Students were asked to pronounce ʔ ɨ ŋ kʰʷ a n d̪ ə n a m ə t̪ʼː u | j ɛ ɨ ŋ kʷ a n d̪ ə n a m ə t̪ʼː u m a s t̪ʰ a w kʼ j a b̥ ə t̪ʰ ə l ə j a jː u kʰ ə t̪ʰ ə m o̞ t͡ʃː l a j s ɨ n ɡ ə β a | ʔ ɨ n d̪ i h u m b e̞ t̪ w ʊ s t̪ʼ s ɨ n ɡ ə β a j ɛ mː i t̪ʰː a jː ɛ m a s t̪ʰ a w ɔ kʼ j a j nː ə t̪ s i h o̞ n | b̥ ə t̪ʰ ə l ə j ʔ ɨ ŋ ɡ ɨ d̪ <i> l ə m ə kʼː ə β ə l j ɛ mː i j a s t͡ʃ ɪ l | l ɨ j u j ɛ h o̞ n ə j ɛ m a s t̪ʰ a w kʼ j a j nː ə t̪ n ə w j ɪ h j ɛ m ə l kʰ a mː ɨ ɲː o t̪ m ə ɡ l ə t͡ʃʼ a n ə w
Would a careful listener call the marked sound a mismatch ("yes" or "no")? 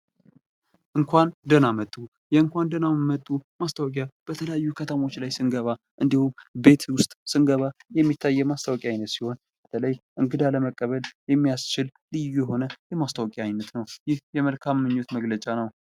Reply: yes